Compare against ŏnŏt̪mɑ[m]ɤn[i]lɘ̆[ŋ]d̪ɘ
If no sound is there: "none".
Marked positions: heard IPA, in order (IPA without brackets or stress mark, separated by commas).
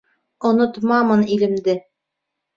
m, i, m